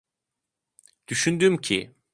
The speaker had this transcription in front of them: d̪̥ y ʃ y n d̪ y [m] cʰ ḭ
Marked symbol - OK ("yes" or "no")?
yes